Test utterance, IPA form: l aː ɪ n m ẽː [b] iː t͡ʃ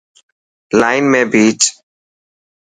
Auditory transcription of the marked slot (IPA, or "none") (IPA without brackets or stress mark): b